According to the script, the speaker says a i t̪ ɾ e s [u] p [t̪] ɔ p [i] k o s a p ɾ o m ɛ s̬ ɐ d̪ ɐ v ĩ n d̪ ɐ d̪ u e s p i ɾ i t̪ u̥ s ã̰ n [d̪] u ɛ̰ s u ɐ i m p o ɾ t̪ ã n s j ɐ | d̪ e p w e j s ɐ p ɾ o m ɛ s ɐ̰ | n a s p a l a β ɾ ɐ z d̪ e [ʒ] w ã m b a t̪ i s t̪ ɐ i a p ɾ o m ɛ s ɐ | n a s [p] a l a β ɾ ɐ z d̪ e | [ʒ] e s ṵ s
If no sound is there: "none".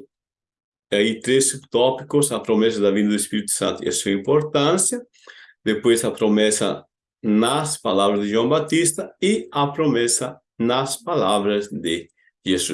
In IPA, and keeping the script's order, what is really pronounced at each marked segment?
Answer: u, t̪, i, t̪, ʒ, p, ʒ

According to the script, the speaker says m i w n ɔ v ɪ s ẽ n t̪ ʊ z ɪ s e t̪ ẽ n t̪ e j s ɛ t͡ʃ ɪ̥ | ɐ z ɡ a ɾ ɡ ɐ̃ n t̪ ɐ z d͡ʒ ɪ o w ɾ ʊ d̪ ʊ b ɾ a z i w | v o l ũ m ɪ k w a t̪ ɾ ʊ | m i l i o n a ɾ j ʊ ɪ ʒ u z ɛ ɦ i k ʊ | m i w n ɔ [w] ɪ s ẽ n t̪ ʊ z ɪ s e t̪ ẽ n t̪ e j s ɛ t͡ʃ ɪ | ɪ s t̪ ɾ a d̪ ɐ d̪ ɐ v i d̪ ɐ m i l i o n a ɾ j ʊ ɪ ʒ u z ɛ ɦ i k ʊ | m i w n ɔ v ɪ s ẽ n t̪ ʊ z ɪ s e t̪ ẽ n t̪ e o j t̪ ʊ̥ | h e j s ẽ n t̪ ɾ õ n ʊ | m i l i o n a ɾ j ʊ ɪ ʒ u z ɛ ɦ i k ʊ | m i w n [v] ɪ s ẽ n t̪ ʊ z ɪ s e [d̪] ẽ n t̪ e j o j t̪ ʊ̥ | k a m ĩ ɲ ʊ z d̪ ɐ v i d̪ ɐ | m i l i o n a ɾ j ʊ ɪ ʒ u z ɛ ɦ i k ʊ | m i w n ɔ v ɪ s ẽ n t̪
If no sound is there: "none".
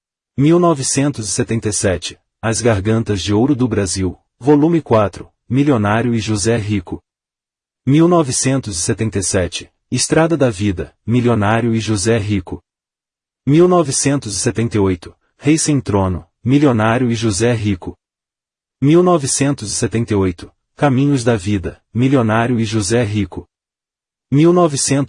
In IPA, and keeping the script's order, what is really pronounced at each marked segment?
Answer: v, v, t̪

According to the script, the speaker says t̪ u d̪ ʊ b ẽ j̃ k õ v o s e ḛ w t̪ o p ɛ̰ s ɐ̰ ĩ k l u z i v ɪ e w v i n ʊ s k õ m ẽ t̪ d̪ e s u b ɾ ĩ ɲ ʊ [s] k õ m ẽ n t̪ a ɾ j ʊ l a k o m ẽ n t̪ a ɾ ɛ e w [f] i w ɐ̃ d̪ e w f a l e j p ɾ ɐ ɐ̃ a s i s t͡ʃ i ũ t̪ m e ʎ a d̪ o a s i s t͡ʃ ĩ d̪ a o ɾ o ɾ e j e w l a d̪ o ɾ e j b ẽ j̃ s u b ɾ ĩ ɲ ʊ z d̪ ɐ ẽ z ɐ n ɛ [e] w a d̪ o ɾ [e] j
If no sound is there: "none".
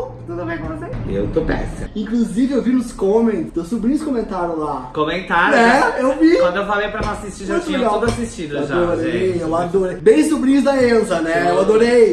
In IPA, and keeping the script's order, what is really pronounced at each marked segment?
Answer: s, v, e, e

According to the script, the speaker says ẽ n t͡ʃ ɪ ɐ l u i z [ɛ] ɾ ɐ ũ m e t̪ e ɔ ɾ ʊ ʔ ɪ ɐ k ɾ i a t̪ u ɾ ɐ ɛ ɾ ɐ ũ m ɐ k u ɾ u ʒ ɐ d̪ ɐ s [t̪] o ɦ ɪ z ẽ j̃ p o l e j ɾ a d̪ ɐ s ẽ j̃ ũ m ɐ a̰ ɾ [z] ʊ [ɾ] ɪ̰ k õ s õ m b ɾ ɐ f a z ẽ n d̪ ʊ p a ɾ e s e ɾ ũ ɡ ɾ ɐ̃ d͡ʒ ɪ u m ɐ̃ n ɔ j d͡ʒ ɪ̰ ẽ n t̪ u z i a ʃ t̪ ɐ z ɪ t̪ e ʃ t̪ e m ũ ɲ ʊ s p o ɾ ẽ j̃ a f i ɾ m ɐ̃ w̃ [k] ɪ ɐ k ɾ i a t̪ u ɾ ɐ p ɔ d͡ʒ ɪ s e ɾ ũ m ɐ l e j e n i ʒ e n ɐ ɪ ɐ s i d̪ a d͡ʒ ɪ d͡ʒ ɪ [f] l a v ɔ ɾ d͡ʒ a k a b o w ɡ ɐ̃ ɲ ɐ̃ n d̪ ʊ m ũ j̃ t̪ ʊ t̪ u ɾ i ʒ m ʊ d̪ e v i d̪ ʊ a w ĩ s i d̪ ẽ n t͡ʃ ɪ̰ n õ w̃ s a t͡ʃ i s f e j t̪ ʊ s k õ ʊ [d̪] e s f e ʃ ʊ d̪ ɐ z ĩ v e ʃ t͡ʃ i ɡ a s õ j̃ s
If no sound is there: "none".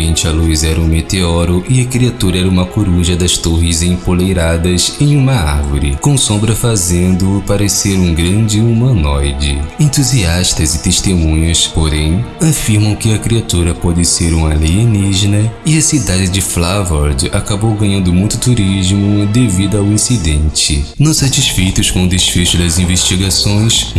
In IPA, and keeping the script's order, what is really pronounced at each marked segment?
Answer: ɛ, t̪, v, ɾ, k, f, d̪

